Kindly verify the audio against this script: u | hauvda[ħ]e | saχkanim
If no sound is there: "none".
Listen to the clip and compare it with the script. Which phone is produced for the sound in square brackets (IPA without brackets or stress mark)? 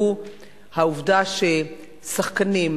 ʃ